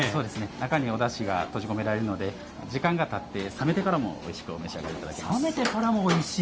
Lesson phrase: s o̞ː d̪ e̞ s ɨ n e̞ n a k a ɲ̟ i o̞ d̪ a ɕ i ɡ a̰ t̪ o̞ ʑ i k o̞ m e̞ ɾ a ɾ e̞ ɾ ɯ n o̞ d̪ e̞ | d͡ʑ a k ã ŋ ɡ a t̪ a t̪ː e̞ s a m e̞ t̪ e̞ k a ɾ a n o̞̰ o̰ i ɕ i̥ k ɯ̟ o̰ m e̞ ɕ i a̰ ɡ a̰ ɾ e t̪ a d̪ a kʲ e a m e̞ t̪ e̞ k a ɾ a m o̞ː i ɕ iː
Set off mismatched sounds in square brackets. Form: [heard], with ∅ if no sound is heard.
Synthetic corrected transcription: s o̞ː d̪ e̞ s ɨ n e̞ n a k a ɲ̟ i o̞ d̪ a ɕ i ɡ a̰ t̪ o̞ ʑ i k o̞ m e̞ ɾ a ɾ e̞ ɾ ɯ n o̞ d̪ e̞ | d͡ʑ [i] k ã ŋ ɡ a t̪ a t̪ː e̞ s a m e̞ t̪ e̞ k a ɾ a [m] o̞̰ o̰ i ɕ i̥ k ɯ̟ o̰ m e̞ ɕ i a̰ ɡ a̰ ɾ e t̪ a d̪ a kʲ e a m e̞ t̪ e̞ k a ɾ a m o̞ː i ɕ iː